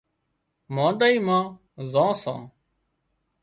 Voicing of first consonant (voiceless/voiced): voiced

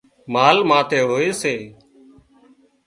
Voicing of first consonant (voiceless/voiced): voiced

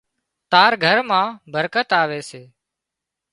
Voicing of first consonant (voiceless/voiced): voiceless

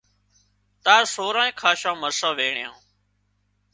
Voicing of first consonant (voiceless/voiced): voiceless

